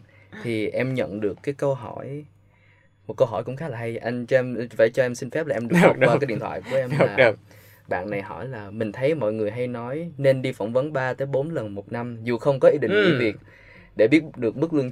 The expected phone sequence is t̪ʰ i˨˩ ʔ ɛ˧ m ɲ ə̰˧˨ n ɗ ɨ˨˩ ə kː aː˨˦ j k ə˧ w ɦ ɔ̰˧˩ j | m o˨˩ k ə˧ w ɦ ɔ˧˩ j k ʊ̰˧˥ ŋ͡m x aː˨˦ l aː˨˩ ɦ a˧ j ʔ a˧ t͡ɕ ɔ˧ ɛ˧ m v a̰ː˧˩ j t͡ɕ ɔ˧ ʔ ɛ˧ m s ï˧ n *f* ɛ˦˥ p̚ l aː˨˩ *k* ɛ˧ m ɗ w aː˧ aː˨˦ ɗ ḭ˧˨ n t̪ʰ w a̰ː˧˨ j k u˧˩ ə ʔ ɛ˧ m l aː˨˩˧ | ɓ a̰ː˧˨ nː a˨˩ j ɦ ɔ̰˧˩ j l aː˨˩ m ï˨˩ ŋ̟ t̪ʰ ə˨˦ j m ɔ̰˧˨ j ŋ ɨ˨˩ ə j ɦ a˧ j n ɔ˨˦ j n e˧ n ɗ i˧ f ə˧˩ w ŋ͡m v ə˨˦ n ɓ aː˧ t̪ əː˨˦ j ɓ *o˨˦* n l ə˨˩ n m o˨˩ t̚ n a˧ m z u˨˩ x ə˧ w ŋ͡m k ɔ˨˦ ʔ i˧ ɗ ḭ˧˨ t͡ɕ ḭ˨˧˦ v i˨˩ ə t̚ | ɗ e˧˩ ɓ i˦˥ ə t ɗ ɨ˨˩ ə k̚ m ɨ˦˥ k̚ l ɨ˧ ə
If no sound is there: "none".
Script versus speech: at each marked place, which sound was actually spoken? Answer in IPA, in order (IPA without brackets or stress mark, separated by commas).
f, ʔ, o˨˦